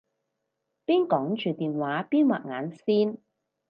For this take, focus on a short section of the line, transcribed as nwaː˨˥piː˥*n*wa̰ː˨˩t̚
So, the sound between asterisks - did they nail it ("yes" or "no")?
yes